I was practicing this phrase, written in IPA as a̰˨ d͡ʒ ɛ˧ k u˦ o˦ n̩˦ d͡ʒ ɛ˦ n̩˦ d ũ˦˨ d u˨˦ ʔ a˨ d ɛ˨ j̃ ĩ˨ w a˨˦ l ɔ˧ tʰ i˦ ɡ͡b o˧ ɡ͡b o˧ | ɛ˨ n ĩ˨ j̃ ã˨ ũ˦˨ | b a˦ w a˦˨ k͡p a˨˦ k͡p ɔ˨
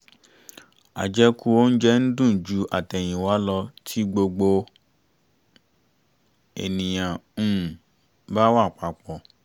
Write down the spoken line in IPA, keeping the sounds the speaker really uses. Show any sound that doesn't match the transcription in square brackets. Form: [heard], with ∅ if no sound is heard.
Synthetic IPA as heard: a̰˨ d͡ʒ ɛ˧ k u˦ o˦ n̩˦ d͡ʒ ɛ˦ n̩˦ d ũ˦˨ [d͡ʒ] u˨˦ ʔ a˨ [t] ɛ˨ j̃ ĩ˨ w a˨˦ l ɔ˧ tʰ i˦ ɡ͡b o˧ ɡ͡b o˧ | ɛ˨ n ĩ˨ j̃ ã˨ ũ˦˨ | b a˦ w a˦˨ k͡p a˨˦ k͡p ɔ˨